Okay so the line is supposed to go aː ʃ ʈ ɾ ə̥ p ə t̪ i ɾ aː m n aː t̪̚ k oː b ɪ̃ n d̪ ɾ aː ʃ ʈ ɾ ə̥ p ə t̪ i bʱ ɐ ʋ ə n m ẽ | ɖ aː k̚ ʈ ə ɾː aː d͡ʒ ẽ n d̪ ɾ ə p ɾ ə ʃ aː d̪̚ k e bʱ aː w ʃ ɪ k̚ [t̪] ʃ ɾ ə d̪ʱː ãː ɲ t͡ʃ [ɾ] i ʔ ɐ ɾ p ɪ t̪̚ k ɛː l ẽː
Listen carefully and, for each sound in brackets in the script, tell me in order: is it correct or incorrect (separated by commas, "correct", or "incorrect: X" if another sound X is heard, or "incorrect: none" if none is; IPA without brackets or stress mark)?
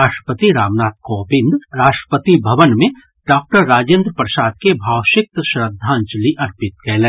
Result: correct, incorrect: l